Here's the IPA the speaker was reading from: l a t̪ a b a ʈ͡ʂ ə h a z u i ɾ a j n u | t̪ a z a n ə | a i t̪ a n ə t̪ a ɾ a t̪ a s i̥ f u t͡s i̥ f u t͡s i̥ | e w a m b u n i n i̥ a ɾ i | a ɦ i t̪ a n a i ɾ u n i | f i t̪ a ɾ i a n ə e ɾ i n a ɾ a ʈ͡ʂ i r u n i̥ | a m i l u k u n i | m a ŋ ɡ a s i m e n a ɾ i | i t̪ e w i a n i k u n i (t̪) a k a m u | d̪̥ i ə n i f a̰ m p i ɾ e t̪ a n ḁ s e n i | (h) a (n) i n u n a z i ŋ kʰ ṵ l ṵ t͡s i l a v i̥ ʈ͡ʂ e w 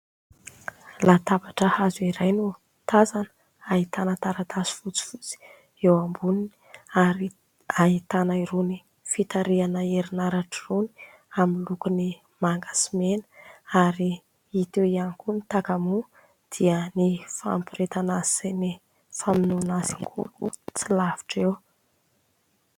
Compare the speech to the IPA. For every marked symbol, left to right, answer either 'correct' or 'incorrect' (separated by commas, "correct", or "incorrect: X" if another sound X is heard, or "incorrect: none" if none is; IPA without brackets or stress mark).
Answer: correct, incorrect: f, incorrect: m